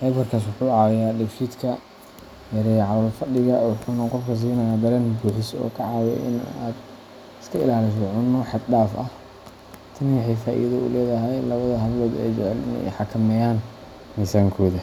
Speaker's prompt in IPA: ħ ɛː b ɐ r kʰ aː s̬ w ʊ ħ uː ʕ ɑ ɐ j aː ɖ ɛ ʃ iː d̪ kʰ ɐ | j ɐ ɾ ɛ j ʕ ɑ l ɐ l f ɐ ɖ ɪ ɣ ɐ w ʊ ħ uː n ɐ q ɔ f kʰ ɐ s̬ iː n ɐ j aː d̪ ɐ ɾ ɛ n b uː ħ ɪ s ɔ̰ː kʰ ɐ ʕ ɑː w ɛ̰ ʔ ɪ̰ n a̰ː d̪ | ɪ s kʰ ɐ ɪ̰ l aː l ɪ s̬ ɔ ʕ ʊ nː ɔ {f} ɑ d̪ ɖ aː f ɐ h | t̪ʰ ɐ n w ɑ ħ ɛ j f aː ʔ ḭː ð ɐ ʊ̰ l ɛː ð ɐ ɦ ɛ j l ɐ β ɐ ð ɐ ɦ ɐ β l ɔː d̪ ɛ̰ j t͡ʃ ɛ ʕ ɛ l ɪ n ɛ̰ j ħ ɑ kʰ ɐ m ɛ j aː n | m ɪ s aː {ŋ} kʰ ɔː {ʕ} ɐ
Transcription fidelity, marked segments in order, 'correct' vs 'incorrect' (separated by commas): incorrect, correct, incorrect